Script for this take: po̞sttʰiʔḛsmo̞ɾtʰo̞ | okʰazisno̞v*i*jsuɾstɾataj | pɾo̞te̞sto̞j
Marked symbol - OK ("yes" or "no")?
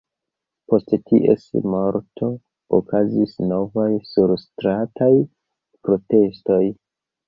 no